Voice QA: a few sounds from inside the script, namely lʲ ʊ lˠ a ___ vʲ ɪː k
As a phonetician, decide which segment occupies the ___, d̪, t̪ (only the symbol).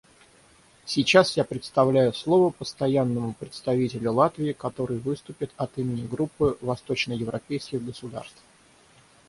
t̪